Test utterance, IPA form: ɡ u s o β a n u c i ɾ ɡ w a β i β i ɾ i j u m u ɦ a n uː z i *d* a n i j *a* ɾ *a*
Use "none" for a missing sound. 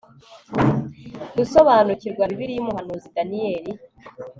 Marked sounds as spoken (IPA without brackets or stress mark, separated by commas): d, e, i